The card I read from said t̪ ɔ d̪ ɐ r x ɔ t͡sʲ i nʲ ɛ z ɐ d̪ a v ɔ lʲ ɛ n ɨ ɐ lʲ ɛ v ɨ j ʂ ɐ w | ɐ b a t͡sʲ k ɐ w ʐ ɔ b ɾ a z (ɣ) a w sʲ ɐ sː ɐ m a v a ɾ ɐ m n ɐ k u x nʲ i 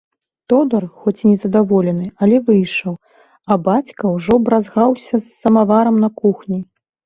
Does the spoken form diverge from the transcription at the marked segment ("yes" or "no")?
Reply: no